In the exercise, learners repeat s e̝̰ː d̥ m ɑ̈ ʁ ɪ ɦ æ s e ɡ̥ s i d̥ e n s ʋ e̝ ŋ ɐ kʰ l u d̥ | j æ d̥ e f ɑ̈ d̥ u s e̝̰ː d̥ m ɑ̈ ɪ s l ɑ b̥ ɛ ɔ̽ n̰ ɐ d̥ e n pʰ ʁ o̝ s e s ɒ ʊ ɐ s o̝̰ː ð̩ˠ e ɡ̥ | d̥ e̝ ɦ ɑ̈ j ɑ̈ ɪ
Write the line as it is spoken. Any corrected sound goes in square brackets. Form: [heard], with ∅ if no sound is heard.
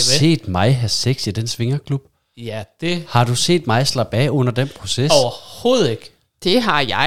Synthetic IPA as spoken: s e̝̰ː d̥ m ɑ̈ [∅] ɪ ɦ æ s e ɡ̥ s i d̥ e n s ʋ e̝ ŋ ɐ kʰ l u [b̥] | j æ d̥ e [h] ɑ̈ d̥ u s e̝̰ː d̥ m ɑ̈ ɪ s l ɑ b̥ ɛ ɔ̽ n̰ ɐ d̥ e n pʰ ʁ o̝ s e s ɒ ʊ ɐ [h] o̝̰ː ð̩ˠ e ɡ̥ | d̥ e̝ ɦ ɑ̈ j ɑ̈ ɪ